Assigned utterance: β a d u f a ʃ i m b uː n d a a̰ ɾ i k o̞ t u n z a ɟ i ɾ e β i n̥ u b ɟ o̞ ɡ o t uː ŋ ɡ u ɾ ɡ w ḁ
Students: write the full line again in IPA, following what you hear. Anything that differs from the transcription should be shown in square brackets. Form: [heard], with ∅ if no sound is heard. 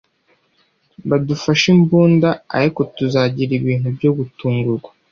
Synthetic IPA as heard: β a d u f a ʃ i m b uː n d a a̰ ɾ i k o̞ t u [∅] z a ɟ i ɾ [i] β [iː] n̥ u b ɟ o̞ ɡ [u] t uː ŋ ɡ u ɾ ɡ w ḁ